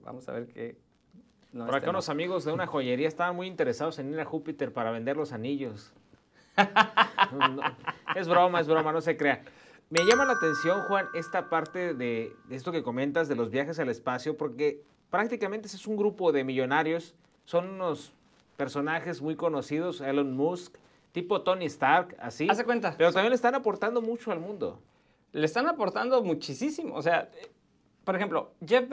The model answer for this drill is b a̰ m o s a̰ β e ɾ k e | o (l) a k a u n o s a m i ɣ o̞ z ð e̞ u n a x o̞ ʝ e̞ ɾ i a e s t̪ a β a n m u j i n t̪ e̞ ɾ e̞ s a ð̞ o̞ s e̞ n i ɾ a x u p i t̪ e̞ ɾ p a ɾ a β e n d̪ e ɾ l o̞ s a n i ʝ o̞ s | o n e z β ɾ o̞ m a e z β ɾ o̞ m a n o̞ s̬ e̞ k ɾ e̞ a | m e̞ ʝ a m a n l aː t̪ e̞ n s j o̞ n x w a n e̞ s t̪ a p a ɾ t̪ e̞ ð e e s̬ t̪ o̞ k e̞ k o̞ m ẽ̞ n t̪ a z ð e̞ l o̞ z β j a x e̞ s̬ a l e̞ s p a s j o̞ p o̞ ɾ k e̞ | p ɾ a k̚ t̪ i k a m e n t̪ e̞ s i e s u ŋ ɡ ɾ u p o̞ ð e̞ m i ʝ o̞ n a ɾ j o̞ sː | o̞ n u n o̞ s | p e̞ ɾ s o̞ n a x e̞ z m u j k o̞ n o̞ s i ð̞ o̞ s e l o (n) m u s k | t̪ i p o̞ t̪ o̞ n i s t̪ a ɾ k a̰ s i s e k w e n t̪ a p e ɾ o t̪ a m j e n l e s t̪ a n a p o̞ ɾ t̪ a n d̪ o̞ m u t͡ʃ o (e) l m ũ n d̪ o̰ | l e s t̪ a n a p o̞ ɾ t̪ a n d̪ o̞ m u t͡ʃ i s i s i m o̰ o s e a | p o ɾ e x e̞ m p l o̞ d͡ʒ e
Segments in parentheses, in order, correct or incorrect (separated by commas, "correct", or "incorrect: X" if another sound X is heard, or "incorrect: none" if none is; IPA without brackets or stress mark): incorrect: ɾ, correct, incorrect: a